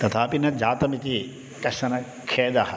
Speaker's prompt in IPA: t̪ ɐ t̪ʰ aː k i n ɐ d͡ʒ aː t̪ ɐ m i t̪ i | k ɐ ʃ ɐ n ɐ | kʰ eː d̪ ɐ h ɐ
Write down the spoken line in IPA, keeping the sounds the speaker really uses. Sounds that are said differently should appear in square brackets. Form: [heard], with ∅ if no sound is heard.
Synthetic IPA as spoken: t̪ ɐ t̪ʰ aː [p] i n ɐ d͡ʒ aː t̪ ɐ m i t̪ i | k ɐ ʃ ɐ n ɐ | kʰ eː d̪ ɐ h ɐ

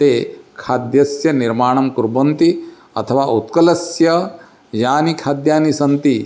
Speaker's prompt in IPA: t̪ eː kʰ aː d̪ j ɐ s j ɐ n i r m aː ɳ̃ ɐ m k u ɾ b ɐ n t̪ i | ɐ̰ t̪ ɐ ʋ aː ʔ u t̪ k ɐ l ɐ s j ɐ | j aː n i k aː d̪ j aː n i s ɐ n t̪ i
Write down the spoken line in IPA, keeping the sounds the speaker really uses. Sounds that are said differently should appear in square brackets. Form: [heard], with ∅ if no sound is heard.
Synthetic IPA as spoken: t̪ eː kʰ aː d̪ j ɐ s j ɐ n i [ɾ] m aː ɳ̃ ɐ m k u ɾ b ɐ n t̪ i | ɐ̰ [t̪ʰ] ɐ ʋ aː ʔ u t̪ k ɐ l ɐ s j ɐ | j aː n i [kʰ] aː d̪ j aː n i s ɐ n t̪ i

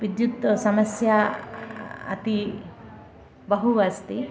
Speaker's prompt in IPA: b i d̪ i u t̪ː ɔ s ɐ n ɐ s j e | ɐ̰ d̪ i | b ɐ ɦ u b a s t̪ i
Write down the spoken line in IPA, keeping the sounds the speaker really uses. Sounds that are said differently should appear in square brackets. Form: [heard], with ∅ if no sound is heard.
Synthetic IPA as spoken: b i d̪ [j] u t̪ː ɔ s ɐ [m] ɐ s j [a] | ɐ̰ [t̪] i | b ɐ ɦ u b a s t̪ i

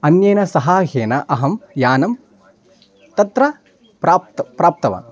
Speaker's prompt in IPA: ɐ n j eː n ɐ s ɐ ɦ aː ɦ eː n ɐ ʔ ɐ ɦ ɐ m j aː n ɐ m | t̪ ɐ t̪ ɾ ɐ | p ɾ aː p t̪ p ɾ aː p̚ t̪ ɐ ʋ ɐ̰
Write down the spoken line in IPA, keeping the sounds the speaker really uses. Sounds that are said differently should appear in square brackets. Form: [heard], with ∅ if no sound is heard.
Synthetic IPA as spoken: ɐ n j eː n ɐ s ɐ ɦ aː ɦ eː n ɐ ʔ ɐ ɦ ɐ m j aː n ɐ m | t̪ ɐ t̪ ɾ ɐ | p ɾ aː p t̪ p ɾ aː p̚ t̪ ɐ ʋ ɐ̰

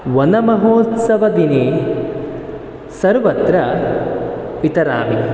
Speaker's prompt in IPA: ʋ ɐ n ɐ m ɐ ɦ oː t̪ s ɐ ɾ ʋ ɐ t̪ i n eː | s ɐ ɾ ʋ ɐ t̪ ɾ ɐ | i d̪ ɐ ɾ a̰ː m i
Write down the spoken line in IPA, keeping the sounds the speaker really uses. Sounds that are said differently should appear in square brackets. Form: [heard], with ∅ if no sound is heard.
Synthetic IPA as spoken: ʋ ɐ n ɐ m ɐ ɦ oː t̪ s ɐ [∅] ʋ ɐ [d̪] i n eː | s ɐ ɾ ʋ ɐ t̪ ɾ ɐ | i [t̪] ɐ ɾ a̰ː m i

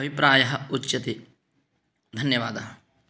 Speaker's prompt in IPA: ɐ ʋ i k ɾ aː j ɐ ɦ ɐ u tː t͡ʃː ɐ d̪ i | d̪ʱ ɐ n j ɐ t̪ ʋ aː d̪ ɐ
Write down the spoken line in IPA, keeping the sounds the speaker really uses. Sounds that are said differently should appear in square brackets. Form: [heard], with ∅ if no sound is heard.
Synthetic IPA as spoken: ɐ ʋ i [p] ɾ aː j ɐ ɦ ɐ u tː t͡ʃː ɐ [t̪] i | d̪ʱ ɐ n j ɐ [∅] ʋ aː d̪ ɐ

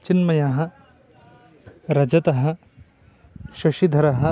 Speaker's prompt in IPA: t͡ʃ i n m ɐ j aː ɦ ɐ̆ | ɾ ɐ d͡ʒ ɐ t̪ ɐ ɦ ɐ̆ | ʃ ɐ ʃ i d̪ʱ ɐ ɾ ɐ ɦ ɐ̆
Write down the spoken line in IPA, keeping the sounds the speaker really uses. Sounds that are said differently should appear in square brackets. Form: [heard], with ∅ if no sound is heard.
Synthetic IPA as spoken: t͡ʃ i n m ɐ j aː ɦ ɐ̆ | ɾ ɐ d͡ʒ ɐ t̪ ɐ ɦ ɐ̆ | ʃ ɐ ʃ i d̪ʱ ɐ ɾ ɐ ɦ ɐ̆

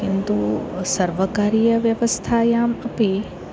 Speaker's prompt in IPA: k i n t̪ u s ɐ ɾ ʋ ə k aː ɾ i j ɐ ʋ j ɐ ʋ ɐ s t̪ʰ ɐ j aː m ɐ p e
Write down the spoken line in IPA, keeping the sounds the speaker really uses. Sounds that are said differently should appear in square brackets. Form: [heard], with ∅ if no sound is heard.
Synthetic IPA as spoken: k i n t̪ u s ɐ ɾ ʋ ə k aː ɾ i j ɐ ʋ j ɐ ʋ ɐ s t̪ʰ [a] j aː m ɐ p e

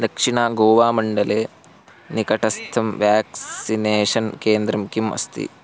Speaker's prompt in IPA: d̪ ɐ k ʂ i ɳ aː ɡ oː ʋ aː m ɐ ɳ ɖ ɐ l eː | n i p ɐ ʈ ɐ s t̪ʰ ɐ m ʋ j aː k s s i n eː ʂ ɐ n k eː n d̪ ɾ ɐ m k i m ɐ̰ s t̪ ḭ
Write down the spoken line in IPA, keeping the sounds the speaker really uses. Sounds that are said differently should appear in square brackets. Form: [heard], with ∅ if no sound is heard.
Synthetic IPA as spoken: d̪ ɐ k ʂ i ɳ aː ɡ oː ʋ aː m ɐ ɳ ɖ ɐ l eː | n i [k] ɐ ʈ ɐ s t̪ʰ ɐ m ʋ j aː k s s i n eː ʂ ɐ n k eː n d̪ ɾ ɐ m k i m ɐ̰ s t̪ ḭ

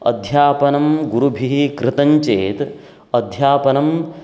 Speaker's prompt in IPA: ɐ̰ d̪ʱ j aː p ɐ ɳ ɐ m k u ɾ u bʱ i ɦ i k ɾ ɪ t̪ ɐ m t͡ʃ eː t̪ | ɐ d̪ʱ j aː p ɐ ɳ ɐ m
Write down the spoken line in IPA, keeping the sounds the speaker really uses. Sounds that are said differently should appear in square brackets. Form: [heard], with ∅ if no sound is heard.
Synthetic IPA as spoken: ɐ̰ d̪ʱ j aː p ɐ [n] ɐ m [ɡ] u ɾ u bʱ i ɦ i k ɾ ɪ t̪ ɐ [ɲ] t͡ʃ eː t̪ | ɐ d̪ʱ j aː p ɐ [n] ɐ m

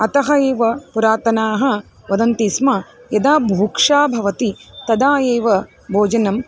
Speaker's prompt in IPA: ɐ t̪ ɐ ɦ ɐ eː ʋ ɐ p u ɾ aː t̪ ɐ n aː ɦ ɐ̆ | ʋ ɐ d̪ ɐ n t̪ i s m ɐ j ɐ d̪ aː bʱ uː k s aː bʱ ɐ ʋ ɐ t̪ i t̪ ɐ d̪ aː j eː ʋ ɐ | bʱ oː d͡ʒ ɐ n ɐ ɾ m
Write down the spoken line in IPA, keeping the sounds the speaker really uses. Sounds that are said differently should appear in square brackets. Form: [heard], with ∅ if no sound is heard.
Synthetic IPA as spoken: ɐ t̪ ɐ ɦ ɐ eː ʋ ɐ p u ɾ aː t̪ ɐ n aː ɦ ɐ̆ | ʋ ɐ d̪ ɐ n t̪ i s m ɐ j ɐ d̪ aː bʱ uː k [ʂ] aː bʱ ɐ ʋ ɐ t̪ i t̪ ɐ d̪ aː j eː ʋ ɐ | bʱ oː d͡ʒ ɐ n ɐ [∅] m

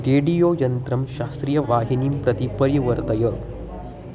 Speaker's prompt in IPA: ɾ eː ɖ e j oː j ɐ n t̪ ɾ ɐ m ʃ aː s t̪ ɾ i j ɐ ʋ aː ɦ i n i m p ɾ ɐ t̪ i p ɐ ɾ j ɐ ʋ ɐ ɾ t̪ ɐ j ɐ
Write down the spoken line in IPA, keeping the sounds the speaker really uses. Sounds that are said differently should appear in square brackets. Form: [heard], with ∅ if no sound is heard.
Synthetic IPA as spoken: ɾ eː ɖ [i] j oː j ɐ n t̪ ɾ ɐ m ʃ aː s t̪ ɾ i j ɐ ʋ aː ɦ i n i m p ɾ ɐ t̪ i p ɐ ɾ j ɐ ʋ ɐ ɾ t̪ ɐ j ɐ

